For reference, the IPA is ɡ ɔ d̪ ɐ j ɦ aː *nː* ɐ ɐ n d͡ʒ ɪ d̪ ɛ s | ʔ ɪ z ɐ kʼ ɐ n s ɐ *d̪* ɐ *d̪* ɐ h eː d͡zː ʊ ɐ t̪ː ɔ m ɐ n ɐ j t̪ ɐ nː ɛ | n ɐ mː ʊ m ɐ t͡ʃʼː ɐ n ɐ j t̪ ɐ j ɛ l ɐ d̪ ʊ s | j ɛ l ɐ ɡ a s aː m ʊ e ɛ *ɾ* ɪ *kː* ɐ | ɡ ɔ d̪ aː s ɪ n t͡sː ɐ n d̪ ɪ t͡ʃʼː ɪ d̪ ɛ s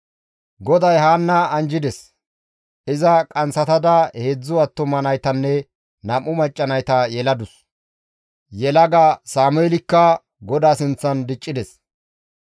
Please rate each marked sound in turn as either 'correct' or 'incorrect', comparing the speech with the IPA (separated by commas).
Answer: correct, incorrect, correct, incorrect, correct